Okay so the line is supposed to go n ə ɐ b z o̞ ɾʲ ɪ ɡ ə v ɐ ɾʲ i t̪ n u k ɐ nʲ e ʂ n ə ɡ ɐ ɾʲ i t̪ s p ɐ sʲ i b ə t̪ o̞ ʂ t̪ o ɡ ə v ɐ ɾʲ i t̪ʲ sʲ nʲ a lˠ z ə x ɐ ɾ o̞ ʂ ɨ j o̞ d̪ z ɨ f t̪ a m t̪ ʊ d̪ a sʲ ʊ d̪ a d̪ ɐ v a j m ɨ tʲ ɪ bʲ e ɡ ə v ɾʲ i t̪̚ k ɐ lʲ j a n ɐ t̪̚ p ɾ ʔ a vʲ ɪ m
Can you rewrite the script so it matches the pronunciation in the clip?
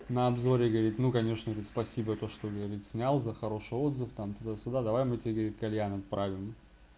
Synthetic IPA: n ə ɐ b z o̞ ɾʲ ɪ ɡ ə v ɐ ɾʲ i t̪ n u k ɐ nʲ e ʂ n ə ɡ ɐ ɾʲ i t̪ s p ɐ sʲ i b ə t̪ o̞ ʂ t̪ o ɡ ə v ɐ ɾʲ i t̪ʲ sʲ nʲ a lˠ z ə x ɐ ɾ o̞ ʂ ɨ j o̞ d̪ z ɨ f t̪ a m t̪ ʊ d̪ a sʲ ʊ d̪ a d̪ ɐ v a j m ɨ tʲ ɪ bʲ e ɡ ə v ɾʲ i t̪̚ k ɐ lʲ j a n ɐ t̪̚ p ɾ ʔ a vʲ ɪ m